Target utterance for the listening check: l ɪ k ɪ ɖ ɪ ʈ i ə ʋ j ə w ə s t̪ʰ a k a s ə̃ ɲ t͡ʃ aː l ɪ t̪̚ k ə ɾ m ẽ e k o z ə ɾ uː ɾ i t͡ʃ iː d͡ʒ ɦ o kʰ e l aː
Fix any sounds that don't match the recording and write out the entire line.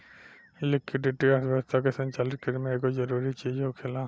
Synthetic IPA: l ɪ k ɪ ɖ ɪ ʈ i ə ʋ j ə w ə s t̪ʰ a k e s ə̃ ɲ t͡ʃ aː l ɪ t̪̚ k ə ɾ m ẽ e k o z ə ɾ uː ɾ i t͡ʃ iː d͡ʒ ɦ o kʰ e l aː